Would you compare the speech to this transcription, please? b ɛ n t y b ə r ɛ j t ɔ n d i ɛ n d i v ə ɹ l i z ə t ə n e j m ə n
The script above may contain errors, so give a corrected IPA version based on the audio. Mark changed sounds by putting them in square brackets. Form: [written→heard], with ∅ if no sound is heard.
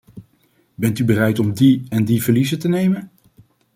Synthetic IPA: b ɛ n t y b ə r ɛ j t ɔ [n→m] d i ɛ n d i v ə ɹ l i z ə t ə n e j m ə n